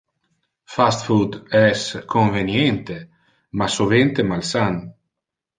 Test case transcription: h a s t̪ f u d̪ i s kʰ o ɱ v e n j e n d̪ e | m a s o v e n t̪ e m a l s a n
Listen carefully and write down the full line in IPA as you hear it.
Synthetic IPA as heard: f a s t̪ f u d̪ ɛ s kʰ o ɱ v e n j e n t̪ e | m a s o v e n t̪ e m a l s a n